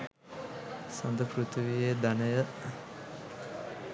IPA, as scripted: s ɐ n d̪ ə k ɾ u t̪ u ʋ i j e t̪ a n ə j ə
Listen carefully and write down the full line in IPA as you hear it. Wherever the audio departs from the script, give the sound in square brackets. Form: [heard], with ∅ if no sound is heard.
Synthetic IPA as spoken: s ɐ n d̪ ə [p] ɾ u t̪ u ʋ i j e [d̪] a n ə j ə

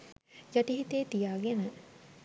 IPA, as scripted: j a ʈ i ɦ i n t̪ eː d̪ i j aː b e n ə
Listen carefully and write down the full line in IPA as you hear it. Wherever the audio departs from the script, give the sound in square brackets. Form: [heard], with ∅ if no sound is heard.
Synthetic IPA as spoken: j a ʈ i ɦ i [∅] t̪ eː [t̪] i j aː [ɡ] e n ə

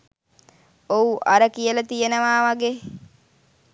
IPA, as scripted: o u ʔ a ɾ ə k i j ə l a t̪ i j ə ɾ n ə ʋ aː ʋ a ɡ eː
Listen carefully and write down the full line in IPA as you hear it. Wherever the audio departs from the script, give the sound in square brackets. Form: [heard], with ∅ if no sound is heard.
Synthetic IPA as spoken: o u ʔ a ɾ ə k i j ə l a t̪ i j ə [∅] n ə ʋ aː ʋ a ɡ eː

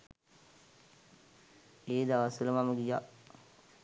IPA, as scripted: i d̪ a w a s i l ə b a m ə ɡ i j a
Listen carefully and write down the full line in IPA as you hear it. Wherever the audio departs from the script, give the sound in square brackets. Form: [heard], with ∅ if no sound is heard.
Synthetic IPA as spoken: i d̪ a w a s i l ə [m] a m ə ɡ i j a

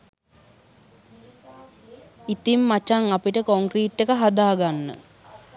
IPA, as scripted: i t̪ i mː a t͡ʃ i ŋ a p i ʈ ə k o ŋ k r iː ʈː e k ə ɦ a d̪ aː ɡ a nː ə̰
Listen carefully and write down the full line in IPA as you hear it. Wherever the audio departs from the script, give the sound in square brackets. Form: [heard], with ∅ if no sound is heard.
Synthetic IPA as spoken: i t̪ i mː a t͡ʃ [a] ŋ a p i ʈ ə k o ŋ k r iː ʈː e k ə ɦ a d̪ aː ɡ a nː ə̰

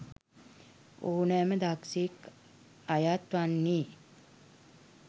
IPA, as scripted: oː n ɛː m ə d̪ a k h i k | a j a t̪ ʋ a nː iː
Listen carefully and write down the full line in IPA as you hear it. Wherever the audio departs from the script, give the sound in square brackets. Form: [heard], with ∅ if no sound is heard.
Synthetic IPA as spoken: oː n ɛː m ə d̪ a k [s] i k | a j a t̪ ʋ a nː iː

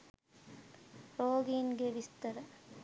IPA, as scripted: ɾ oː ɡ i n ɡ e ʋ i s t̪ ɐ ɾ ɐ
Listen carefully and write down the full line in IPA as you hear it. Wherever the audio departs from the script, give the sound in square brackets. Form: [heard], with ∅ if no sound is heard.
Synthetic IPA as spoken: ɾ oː ɡ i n ɡ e ʋ i s t̪ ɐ ɾ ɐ

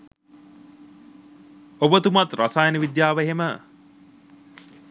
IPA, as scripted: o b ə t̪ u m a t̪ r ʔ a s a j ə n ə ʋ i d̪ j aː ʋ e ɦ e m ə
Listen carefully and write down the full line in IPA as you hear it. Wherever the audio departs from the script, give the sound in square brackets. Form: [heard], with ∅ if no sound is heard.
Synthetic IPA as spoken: o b ə t̪ u m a t̪ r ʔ a s a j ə n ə ʋ i d̪ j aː ʋ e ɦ e m ə

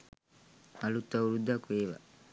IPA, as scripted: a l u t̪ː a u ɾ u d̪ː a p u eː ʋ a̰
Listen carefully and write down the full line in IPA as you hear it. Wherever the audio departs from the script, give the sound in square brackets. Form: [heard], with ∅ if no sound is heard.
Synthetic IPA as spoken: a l u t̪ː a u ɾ u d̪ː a [k] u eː ʋ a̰

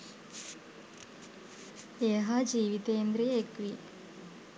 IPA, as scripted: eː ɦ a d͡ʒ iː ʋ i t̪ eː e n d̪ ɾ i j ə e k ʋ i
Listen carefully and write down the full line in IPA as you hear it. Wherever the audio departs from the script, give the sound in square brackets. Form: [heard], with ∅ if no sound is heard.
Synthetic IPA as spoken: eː ɦ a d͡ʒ iː ʋ i t̪ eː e n d̪ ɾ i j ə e k ʋ i

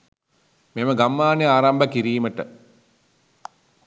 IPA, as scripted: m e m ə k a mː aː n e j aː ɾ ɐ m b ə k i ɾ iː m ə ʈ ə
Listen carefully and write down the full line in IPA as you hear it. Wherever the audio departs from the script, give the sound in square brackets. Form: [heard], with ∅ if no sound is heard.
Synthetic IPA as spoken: m e m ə [ɡ] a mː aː n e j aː ɾ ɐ m b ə k i ɾ iː m ə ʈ ə

